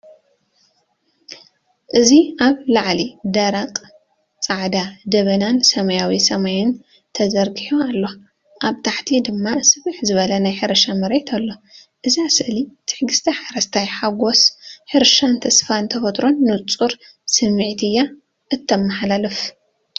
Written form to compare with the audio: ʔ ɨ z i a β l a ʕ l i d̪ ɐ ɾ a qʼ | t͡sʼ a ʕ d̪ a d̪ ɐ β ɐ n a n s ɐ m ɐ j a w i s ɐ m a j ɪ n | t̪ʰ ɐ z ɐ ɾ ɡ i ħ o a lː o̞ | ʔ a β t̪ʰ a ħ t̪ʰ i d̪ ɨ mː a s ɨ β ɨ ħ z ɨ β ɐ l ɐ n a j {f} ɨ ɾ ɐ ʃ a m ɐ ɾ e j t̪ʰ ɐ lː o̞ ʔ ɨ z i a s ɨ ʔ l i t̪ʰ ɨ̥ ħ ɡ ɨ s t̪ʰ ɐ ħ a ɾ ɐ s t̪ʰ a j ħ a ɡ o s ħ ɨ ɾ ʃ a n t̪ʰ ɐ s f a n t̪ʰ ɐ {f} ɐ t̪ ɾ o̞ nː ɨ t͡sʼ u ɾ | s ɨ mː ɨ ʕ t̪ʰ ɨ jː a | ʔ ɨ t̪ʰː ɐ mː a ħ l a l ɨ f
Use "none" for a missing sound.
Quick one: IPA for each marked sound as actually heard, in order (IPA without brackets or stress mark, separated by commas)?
ħ, f